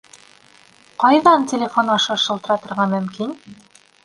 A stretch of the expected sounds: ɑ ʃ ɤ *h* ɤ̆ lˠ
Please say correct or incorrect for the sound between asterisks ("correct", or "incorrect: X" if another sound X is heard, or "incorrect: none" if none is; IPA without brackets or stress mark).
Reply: incorrect: ʃ